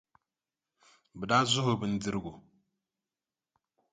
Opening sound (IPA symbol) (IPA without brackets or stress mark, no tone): b